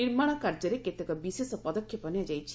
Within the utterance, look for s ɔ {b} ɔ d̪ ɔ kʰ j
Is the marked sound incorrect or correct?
incorrect